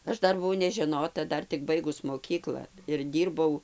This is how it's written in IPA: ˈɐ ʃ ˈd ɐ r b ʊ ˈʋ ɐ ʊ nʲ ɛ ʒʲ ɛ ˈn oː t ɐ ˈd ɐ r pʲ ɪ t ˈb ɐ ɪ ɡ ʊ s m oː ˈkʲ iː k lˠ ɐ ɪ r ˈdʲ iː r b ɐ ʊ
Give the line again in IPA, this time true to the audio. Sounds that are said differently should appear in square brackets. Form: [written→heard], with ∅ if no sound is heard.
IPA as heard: ˈɐ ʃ ˈd ɐ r b ʊ ˈʋ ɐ ʊ nʲ ɛ ʒʲ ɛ ˈn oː t ɐ ˈd ɐ r [pʲ→tʲ] ɪ [t→k] ˈb ɐ ɪ ɡ ʊ s m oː ˈkʲ iː k lˠ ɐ ɪ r ˈdʲ iː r b ɐ ʊ